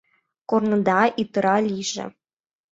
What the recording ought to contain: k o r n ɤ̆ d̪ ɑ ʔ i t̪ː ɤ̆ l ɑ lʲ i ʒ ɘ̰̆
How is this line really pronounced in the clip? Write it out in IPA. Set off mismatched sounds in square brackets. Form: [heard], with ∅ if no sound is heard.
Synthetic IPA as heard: k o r n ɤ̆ d̪ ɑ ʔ i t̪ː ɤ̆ [ɾ] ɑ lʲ i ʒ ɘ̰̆